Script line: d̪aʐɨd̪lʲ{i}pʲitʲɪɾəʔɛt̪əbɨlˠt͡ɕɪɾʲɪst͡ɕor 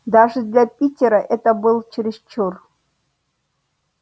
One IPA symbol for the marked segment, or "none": a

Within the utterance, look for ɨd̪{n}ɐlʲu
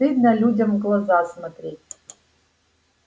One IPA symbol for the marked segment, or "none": n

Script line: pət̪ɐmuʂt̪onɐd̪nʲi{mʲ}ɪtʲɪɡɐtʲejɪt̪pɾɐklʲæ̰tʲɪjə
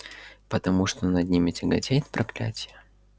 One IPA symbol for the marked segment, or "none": mʲ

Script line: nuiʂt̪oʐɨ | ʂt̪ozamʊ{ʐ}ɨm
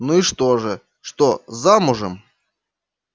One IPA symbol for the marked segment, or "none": ʐ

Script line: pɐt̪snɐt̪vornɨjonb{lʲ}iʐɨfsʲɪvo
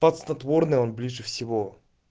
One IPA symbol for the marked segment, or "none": lʲ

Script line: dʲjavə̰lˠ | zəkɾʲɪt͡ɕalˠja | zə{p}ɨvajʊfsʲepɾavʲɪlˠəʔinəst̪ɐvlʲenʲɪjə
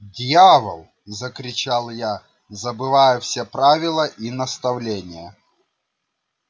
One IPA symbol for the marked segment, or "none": b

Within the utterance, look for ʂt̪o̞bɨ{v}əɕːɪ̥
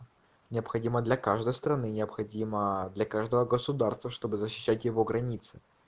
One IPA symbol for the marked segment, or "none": z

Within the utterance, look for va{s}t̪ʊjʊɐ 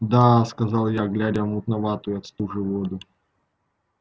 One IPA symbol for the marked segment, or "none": none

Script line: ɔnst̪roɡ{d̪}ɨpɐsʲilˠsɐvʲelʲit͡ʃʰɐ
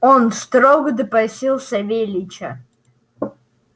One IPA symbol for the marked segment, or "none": d̪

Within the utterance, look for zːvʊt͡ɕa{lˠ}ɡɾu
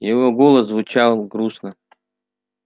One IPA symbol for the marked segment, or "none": lˠ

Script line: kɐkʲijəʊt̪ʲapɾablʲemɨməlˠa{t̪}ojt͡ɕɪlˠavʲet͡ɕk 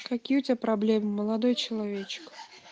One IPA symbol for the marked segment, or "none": d̪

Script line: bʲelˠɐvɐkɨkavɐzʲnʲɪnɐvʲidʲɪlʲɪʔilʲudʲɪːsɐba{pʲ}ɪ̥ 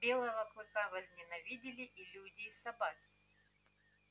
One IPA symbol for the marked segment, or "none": kʲ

